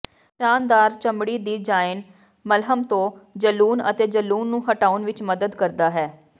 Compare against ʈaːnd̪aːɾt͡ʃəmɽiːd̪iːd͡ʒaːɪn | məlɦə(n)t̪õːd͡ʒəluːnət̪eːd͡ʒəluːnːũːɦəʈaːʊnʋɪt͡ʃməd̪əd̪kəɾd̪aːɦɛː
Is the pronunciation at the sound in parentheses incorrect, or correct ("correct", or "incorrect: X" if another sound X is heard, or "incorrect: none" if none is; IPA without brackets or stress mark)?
incorrect: m